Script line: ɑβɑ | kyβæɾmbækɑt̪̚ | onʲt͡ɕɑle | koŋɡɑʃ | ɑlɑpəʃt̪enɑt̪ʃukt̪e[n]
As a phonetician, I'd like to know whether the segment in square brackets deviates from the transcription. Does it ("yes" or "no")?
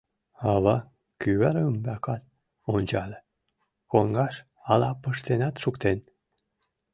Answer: no